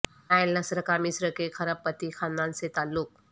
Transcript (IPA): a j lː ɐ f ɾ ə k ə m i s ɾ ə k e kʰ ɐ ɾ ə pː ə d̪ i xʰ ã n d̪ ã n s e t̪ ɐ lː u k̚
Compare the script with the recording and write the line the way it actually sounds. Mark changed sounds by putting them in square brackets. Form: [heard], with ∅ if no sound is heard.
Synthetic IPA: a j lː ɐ [s] ɾ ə k [a] m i s ɾ ə k e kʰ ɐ ɾ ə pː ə [t̪] i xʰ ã n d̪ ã n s e t̪ [a] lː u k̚